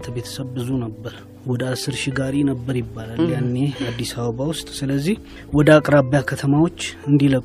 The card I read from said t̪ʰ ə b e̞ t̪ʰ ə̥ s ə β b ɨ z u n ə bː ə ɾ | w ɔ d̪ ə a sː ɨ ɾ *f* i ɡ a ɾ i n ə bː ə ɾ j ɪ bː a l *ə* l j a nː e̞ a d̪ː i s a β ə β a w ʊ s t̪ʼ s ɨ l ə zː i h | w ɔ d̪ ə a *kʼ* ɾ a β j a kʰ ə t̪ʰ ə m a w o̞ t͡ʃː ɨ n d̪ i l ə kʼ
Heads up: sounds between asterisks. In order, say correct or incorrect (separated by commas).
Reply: incorrect, incorrect, correct